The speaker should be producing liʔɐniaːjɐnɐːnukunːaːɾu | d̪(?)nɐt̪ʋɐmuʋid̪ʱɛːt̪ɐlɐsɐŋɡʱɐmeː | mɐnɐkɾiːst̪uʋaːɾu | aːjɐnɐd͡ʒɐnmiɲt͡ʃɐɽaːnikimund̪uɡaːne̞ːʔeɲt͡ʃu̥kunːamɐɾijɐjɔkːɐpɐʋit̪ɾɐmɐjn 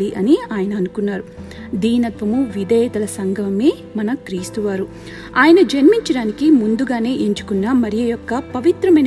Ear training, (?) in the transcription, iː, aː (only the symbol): iː